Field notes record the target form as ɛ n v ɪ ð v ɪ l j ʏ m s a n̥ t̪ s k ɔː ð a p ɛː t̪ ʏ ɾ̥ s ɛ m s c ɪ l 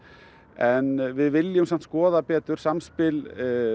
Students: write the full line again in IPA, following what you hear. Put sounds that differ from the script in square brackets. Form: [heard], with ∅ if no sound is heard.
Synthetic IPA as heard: ɛ n v ɪ ð v ɪ l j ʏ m s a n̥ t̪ s k ɔː ð a p ɛː t̪ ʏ ɾ̥ s [a] m s [p] ɪ l